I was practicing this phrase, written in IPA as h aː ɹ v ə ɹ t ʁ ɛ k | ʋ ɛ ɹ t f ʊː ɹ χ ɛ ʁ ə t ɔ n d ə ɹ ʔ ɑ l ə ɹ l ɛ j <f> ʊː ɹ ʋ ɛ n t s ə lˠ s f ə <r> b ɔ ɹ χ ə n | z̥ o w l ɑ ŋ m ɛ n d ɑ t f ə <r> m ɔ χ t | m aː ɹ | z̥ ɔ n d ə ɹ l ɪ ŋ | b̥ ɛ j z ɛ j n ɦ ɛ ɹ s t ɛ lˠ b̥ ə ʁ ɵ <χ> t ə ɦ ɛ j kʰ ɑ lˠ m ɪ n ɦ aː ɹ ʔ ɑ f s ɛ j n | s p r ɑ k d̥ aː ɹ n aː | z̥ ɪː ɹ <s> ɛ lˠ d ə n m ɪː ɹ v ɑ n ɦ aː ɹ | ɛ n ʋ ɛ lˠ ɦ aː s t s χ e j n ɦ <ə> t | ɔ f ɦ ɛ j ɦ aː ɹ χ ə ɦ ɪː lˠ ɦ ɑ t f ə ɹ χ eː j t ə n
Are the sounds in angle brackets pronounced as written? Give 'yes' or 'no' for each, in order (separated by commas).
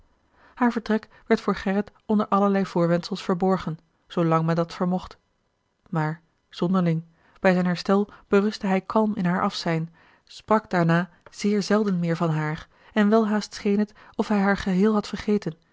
no, no, no, no, no, yes